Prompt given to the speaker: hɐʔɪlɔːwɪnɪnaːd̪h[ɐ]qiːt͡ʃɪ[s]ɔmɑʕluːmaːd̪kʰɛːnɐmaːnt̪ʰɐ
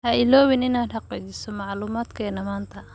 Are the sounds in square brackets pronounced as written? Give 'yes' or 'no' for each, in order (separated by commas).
no, yes